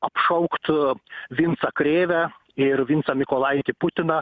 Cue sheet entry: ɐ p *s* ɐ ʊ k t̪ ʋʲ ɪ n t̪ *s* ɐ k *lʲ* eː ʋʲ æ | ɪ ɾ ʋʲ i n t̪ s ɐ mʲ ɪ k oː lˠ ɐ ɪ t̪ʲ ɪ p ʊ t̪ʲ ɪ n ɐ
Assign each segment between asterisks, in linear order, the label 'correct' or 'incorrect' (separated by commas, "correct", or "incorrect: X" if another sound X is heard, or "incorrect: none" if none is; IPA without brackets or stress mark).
incorrect: ʃ, correct, incorrect: ɾʲ